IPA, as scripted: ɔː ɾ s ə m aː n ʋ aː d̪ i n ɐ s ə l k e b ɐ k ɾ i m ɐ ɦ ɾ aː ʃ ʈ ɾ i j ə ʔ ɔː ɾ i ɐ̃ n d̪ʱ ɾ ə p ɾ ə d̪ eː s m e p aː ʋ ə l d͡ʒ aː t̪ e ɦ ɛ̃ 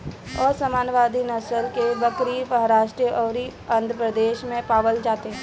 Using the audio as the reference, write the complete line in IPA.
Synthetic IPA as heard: ɔː ɾ s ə m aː n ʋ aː d̪ i n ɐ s ə l k e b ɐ k ɾ i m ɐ ɦ ɾ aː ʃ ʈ ɾ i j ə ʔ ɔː ɾ i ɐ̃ n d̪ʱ ɾ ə p ɾ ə d̪ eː ʃ m ẽ p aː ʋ ə l d͡ʒ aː t̪ e ɦ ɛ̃